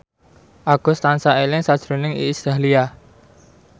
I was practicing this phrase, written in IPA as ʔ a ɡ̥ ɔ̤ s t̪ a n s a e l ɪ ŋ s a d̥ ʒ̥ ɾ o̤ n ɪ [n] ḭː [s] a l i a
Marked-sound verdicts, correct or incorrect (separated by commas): incorrect, correct